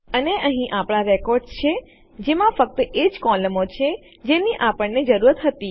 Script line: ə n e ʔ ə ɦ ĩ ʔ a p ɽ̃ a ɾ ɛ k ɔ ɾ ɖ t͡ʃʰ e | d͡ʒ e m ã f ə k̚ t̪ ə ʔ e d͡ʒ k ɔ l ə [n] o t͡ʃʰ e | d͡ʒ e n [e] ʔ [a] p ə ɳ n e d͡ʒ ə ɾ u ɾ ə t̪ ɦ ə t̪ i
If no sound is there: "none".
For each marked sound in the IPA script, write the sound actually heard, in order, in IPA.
m, i, a

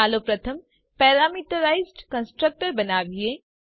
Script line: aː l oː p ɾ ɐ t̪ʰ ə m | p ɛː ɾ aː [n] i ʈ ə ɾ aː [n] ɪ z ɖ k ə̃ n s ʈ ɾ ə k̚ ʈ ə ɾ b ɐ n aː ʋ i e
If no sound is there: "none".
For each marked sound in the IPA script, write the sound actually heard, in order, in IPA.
m, none

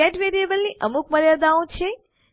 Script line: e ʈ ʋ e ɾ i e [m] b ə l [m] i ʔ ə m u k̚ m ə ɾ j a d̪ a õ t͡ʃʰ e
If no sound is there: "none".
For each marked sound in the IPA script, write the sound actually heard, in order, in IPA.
none, n

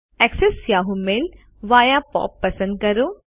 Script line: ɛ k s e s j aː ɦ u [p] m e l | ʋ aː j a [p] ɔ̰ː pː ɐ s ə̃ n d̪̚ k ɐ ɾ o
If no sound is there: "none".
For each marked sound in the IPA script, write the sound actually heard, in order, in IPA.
none, p

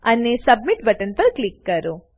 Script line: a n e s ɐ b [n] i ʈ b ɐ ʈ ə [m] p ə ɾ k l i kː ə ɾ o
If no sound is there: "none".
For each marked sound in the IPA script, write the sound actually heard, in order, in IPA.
m, n

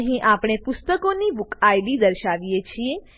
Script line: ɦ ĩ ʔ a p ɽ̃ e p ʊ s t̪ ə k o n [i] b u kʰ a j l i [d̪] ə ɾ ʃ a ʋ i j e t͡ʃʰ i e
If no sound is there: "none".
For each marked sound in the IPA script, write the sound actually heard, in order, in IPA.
i, d̪

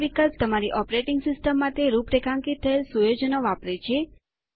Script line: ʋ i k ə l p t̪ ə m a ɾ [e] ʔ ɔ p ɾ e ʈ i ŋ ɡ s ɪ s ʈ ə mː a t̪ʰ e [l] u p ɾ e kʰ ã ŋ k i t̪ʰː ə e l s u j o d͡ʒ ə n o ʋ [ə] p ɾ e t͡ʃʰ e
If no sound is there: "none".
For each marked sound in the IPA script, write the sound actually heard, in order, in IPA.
i, ɾ, a

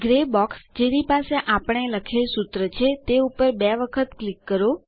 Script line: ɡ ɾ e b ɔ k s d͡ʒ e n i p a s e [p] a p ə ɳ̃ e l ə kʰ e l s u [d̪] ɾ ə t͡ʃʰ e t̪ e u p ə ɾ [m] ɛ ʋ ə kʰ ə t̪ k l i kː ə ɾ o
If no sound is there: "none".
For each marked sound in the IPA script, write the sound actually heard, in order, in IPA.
ʔ, t̪, b

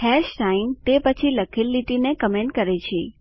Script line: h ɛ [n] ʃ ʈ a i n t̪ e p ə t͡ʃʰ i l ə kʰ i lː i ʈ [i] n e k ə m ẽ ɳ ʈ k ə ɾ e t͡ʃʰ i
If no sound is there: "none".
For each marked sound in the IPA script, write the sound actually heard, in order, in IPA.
none, i

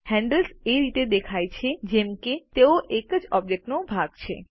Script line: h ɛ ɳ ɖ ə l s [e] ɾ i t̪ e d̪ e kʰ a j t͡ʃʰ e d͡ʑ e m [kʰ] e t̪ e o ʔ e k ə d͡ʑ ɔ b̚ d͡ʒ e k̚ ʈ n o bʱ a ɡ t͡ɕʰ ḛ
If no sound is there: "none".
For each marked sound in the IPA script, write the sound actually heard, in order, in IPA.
e, k

